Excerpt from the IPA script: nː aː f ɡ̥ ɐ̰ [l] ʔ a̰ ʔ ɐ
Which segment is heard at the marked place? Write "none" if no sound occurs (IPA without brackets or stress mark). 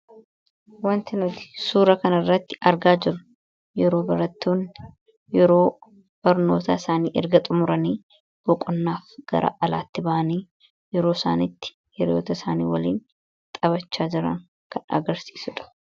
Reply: ɾ